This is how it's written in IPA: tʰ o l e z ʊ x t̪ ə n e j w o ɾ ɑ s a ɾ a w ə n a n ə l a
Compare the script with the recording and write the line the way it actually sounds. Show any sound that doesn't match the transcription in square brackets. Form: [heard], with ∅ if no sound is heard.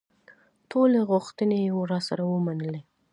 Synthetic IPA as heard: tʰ o l e [ɣ] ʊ x t̪ ə n e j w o ɾ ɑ s a ɾ a w ə [m] a n ə l [e]